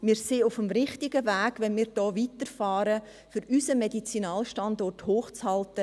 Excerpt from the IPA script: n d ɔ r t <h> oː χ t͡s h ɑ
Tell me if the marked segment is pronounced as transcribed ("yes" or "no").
yes